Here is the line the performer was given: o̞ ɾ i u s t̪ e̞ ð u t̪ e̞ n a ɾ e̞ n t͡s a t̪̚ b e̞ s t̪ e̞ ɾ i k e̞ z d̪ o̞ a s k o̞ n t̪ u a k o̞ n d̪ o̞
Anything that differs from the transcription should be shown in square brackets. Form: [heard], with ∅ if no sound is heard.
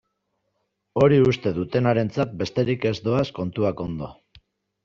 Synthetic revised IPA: o̞ ɾ i u s t̪ e̞ ð u t̪ e̞ n a ɾ e̞ n t͡s a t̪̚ b e̞ s t̪ e̞ ɾ i k e̞ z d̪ o̞ a s k o̞ n t̪ u a k o̞ n d̪ o̞